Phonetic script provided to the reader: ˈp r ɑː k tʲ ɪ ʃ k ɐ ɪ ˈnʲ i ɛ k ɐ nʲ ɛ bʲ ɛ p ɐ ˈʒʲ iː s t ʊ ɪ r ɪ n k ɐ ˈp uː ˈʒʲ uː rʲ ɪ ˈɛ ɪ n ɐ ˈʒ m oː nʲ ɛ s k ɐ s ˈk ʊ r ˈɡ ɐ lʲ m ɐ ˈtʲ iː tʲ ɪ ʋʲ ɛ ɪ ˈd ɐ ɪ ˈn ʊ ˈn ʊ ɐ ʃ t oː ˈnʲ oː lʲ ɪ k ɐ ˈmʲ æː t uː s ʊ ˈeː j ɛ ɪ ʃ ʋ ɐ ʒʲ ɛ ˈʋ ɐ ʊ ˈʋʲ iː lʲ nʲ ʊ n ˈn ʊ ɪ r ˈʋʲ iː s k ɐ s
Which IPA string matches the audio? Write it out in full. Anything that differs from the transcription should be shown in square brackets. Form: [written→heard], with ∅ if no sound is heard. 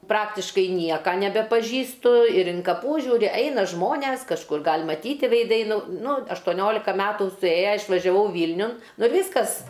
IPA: ˈp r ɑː k tʲ ɪ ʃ k ɐ ɪ ˈnʲ i ɛ k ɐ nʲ ɛ bʲ ɛ p ɐ ˈʒʲ iː s t ʊ ɪ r ɪ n k ɐ ˈp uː ˈʒʲ uː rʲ ɪ ˈɛ ɪ n ɐ ˈʒ m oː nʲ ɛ s k ɐ [s→ʃ] ˈk ʊ r ˈɡ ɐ lʲ m ɐ ˈtʲ iː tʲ ɪ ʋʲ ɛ ɪ ˈd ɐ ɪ ˈn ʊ ˈn ʊ ɐ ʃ t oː ˈnʲ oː lʲ ɪ k ɐ ˈmʲ æː t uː s ʊ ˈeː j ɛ ɪ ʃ ʋ ɐ ʒʲ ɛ ˈʋ ɐ ʊ ˈʋʲ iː lʲ nʲ ʊ n ˈn ʊ ɪ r ˈʋʲ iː s k ɐ s